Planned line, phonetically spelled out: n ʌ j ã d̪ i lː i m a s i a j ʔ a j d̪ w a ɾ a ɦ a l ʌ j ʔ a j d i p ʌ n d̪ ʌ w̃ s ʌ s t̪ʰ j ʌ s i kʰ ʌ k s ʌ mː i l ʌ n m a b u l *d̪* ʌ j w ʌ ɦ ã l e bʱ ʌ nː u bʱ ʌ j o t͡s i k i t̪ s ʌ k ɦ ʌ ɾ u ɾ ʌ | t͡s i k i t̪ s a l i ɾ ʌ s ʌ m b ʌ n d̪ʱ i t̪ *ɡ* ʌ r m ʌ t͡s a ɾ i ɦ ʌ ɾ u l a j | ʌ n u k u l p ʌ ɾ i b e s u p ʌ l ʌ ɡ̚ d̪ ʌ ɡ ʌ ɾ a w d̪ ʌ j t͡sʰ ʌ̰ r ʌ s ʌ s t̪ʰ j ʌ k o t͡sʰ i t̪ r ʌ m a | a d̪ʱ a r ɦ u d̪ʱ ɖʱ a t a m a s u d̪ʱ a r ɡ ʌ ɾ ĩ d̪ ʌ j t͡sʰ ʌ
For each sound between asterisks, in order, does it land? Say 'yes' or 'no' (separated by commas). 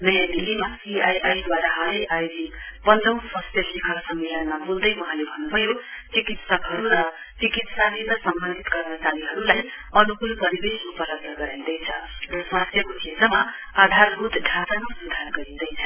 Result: yes, yes